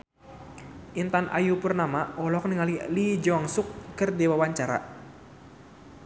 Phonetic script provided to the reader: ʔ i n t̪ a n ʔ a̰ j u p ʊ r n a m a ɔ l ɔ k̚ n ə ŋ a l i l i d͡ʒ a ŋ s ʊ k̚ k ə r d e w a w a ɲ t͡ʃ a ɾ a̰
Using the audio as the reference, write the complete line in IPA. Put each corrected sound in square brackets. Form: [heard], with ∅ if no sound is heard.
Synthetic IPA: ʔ i n t̪ a n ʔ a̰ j u p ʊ r n a m a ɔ l ɔ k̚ n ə ŋ a l i l i d͡ʒ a ŋ s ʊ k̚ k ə r d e w a w a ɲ t͡ʃ a ɾ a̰